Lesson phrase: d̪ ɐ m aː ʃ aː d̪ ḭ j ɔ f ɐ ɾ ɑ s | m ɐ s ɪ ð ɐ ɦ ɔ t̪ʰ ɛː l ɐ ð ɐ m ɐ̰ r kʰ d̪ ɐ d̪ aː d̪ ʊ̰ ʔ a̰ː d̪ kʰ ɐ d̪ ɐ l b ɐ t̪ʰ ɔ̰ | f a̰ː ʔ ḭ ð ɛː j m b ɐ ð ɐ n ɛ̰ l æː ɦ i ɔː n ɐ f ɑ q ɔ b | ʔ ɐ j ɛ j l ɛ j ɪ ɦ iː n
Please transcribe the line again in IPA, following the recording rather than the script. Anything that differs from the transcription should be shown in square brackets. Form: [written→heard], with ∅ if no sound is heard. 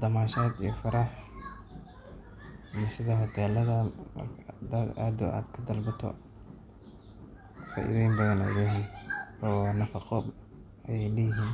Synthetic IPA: d̪ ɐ m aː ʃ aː d̪ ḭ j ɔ f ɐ ɾ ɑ [s→ħ] | m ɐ s ɪ ð ɐ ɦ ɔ t̪ʰ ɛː l ɐ ð ɐ m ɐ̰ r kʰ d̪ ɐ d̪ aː d̪ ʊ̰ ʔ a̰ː d̪ kʰ ɐ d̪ ɐ l b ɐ t̪ʰ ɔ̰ | f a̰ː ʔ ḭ ð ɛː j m b ɐ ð ɐ n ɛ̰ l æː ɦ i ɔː n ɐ f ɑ q ɔ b | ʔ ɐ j ɛ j l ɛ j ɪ ɦ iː n